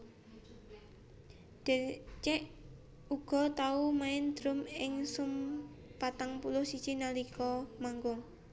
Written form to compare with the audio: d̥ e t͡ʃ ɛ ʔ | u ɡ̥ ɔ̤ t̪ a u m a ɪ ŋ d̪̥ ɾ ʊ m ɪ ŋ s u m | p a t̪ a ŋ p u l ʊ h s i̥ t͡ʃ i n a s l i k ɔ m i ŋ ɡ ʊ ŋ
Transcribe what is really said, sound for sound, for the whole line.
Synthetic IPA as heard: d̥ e t͡ʃ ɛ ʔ | u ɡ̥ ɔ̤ t̪ a u m a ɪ n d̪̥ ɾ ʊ m ɪ ŋ s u m | p a t̪ a ŋ p u l ʊ h s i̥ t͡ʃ i n a l i k ɔ m a ŋ ɡ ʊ ŋ